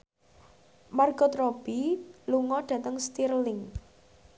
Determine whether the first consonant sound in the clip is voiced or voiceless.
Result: voiced